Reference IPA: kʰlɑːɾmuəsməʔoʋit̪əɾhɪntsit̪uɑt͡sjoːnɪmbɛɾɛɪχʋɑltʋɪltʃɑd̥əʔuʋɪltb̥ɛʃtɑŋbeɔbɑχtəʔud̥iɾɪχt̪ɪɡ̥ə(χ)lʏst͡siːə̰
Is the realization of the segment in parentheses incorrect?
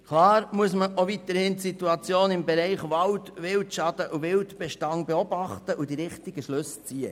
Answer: yes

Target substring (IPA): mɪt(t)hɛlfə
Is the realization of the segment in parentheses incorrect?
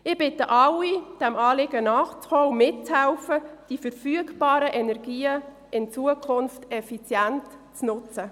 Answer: yes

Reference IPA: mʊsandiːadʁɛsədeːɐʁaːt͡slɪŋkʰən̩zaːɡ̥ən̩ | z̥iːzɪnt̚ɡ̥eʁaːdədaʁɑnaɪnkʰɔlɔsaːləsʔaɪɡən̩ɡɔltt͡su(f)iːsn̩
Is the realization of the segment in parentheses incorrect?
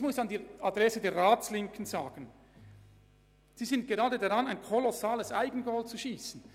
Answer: yes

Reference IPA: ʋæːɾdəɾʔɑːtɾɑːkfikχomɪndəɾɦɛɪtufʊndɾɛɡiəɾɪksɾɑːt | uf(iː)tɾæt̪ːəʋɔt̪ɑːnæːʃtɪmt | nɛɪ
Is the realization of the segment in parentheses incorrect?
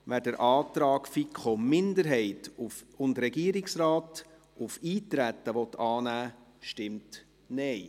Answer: no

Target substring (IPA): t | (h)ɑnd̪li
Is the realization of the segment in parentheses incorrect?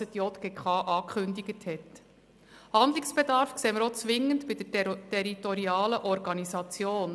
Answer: no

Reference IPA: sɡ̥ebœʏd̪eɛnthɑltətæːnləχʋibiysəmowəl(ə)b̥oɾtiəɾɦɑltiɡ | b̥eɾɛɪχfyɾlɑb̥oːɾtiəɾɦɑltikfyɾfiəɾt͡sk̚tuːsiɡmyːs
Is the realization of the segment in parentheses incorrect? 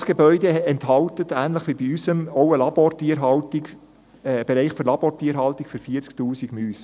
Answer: yes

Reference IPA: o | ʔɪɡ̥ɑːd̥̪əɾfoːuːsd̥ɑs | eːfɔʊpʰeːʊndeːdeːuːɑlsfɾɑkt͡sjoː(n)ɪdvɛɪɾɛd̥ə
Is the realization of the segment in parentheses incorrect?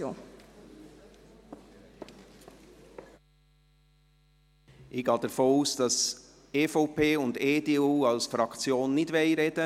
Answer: yes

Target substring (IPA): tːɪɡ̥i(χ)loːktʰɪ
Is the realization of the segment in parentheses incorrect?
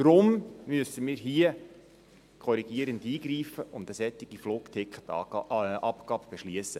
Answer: yes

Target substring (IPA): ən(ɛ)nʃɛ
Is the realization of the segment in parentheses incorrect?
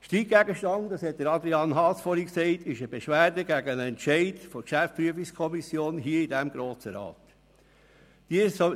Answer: no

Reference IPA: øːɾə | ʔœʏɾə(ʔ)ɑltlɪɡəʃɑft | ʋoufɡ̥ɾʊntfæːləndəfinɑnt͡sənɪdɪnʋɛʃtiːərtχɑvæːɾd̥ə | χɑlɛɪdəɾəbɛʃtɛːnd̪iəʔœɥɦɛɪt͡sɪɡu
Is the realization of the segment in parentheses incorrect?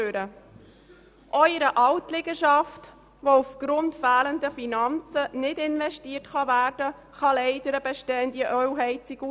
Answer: no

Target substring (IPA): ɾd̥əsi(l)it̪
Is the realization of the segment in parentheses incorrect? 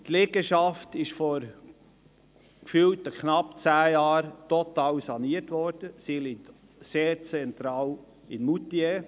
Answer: no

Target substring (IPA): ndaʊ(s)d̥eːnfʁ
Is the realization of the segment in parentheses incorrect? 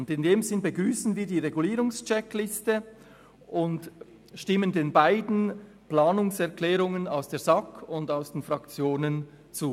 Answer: no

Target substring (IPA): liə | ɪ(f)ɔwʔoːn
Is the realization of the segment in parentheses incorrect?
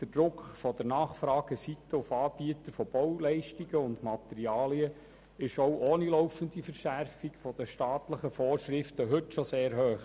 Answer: yes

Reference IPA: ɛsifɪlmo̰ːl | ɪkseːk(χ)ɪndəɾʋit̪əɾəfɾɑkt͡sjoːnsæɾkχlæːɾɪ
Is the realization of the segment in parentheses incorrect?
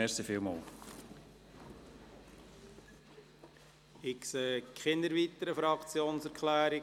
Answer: no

